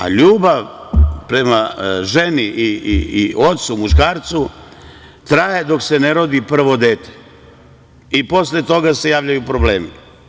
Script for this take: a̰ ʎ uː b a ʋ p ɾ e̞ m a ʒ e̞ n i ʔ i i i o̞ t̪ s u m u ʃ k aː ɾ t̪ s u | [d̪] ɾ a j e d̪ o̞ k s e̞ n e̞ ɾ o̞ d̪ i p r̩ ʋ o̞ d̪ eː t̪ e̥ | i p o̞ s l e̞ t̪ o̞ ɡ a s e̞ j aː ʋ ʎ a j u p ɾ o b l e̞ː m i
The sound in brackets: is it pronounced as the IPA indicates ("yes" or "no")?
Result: no